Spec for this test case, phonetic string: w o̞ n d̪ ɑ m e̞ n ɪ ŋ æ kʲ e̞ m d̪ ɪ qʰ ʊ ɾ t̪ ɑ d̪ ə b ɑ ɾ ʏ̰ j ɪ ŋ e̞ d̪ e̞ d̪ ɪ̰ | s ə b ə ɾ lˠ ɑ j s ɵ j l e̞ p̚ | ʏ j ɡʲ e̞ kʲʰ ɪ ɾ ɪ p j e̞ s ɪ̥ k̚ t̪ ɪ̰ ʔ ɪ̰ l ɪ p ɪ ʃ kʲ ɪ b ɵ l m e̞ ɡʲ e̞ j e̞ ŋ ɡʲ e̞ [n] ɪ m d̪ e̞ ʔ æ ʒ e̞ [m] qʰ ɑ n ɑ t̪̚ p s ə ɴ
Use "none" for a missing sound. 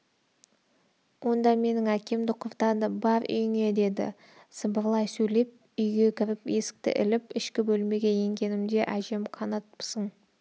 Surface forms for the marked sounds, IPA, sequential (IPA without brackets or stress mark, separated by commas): n, m